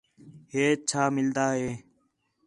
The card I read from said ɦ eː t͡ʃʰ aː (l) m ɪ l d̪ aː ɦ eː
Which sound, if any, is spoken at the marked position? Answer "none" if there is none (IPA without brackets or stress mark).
none